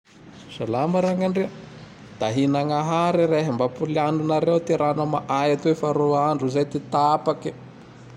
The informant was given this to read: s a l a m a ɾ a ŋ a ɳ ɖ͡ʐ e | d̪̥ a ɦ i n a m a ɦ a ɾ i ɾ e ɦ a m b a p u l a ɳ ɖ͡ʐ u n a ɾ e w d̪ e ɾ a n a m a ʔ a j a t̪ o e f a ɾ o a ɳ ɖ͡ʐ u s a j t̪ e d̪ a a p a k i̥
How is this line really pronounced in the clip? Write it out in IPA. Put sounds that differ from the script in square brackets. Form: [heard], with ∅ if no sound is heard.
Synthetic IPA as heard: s a l a m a ɾ a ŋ a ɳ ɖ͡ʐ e | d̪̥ a ɦ i n a [ŋ] a ɦ a ɾ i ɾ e ɦ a m b a p u l a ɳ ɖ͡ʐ u n a ɾ e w [t̪] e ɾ a n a m a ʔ a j a t̪ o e f a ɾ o a ɳ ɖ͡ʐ u [z] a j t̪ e [t̪] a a p a k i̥